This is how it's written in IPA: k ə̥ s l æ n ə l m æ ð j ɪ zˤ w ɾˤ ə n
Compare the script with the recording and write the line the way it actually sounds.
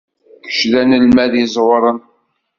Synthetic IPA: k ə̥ ʃ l æ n ə l m æ ð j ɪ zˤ w ɾˤ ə n